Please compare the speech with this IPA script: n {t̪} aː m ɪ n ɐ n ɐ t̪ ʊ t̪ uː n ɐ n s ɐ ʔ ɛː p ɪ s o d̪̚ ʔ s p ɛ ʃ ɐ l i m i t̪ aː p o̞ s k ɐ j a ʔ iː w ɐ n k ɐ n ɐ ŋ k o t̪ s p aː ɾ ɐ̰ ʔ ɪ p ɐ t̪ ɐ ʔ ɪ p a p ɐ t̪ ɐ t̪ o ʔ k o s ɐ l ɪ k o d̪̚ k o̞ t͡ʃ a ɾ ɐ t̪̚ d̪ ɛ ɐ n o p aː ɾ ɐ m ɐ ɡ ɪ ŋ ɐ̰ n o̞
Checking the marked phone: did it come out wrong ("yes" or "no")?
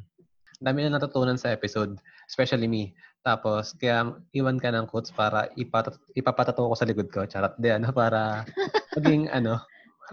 yes